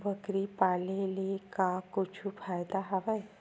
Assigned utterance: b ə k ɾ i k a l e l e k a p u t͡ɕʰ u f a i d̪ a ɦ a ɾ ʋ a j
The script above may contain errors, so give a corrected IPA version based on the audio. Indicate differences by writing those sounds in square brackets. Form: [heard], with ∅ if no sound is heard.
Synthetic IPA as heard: b ə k ɾ i [p] a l e l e k a [k] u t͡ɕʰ u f a [j] d̪ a ɦ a [∅] ʋ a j